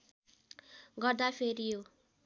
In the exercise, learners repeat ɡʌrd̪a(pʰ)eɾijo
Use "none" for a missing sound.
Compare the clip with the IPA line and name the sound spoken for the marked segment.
pʰ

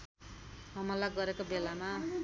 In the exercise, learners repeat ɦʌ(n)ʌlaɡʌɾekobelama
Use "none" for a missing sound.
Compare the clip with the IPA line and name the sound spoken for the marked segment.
m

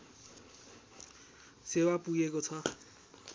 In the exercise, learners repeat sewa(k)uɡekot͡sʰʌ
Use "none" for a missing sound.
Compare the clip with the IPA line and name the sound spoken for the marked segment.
p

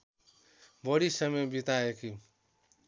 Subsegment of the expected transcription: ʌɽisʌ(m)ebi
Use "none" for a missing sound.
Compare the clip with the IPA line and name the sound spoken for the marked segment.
m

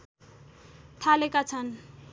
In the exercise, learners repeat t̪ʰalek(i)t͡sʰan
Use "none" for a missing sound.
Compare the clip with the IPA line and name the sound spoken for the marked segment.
a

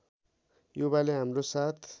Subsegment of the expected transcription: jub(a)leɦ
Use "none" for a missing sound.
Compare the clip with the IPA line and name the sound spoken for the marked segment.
a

